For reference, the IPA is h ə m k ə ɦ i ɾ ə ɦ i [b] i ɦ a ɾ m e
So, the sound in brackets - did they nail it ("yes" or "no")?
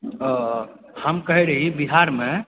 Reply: yes